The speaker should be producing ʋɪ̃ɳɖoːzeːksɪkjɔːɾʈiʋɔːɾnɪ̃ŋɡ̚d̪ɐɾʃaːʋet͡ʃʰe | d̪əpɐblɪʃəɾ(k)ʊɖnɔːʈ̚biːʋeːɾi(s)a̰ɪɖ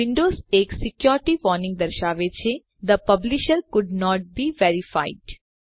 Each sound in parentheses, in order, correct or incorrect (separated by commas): correct, incorrect